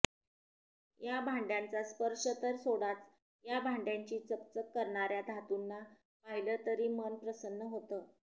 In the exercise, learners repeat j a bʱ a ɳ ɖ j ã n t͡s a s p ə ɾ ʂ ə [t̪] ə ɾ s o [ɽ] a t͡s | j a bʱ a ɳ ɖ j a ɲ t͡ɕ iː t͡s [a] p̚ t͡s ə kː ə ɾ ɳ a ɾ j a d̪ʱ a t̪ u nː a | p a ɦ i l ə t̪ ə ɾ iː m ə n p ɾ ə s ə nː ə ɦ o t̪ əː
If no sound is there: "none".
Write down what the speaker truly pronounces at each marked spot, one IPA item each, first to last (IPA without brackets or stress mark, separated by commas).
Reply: t̪, ɽ, ə